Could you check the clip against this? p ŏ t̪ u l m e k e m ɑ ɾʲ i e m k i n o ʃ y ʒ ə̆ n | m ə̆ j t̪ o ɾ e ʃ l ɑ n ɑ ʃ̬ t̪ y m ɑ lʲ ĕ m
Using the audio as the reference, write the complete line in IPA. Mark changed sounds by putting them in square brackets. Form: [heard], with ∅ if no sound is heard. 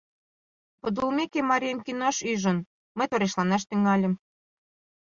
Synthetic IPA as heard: p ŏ [d̪] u l m e k e m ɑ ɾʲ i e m k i n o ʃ y ʒ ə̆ n | m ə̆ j t̪ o ɾ e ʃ l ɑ n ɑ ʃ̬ t̪ y [ŋ] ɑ lʲ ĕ m